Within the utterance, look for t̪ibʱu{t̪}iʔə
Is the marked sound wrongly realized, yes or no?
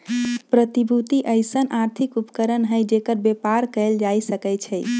no